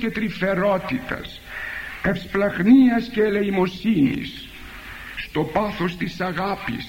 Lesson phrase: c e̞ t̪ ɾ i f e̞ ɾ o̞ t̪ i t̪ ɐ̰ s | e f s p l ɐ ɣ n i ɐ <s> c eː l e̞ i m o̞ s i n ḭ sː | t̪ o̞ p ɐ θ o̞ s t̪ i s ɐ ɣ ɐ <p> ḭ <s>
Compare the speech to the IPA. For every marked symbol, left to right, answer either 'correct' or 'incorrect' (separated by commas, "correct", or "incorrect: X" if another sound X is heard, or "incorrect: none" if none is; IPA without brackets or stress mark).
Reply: correct, correct, correct